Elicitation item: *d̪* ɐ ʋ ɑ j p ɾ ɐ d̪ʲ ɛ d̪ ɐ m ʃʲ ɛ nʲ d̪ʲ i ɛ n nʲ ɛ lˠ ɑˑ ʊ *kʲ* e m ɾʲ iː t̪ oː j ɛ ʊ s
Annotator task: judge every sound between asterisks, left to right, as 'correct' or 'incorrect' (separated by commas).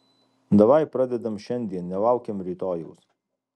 correct, correct